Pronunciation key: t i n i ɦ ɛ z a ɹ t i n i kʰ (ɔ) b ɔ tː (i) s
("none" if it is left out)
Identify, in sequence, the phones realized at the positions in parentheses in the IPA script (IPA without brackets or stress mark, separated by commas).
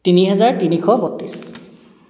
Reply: ɔ, i